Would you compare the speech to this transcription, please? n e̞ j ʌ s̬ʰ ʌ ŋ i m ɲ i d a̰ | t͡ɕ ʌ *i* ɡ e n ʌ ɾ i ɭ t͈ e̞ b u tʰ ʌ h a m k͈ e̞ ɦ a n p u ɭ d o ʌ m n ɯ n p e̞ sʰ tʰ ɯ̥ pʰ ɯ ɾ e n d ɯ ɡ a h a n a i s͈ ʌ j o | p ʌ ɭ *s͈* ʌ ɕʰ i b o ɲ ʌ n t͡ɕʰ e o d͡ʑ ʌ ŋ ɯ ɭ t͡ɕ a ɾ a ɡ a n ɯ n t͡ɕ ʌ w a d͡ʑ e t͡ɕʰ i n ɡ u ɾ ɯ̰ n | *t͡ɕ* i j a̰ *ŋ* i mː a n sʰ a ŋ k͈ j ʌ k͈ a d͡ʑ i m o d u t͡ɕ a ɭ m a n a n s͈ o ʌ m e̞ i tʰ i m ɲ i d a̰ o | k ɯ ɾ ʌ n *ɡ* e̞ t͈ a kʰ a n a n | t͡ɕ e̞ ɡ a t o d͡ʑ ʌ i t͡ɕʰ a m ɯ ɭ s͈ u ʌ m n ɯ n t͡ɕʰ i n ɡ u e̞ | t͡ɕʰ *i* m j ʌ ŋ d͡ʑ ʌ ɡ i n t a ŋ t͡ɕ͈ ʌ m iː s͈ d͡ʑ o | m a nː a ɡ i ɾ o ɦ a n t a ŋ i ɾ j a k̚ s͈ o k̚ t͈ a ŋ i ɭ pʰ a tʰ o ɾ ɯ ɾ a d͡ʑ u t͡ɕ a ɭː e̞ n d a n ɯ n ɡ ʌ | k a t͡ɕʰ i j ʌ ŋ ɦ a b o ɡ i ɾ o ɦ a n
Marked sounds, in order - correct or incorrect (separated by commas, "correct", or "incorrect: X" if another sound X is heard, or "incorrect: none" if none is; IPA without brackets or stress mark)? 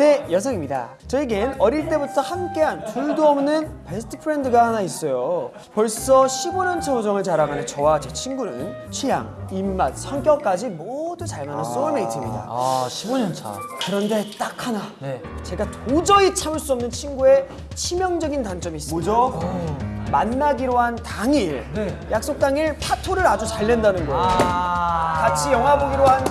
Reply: correct, correct, incorrect: t͡ɕʰ, correct, incorrect: d, correct